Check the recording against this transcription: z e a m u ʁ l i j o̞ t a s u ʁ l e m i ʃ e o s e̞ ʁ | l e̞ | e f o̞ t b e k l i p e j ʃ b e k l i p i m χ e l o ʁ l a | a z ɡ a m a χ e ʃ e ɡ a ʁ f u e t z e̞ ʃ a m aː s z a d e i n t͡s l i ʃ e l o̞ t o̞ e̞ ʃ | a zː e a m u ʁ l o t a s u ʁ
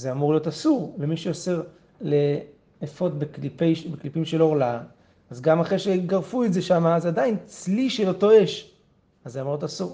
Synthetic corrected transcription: z e a m u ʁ l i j o̞ t a s u ʁ l e m i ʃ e o s e̞ ʁ | l e̞ | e f o̞ t b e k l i p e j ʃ b e k l i p i m ʃ e l o ʁ l a | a z ɡ a m a χ e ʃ e ɡ a ʁ f u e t z e̞ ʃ a m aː z a d a i n t͡s l i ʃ e l o̞ t o̞ e̞ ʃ | a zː e a m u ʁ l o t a s u ʁ